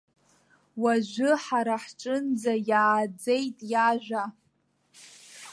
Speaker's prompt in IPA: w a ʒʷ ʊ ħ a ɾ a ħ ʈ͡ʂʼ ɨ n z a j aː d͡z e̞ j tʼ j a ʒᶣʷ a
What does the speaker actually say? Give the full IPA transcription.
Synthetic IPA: w a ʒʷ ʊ ħ a ɾ a ħ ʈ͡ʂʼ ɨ n d͡z a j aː d͡z e̞ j tʼ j a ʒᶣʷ a